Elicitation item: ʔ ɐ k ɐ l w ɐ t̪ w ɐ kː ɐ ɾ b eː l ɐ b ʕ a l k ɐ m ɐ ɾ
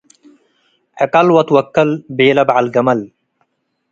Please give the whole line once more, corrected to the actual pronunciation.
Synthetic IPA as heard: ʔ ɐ k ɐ l w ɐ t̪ w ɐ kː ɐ l b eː l ɐ b ʕ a l ɡ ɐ m ɐ l